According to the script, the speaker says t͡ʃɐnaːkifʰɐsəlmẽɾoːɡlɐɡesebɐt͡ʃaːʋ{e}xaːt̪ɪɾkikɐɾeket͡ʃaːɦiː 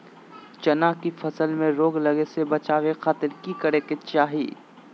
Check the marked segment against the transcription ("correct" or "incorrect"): correct